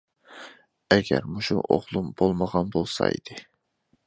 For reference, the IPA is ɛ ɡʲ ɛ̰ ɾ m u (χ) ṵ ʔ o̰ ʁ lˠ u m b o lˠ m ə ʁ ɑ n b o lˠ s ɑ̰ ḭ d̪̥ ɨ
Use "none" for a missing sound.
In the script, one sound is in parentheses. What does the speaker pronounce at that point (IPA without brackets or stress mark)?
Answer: ʃ